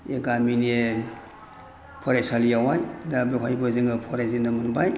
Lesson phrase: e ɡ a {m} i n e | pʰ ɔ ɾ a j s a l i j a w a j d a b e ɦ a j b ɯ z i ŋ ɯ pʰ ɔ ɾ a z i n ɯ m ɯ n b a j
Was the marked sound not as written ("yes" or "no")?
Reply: no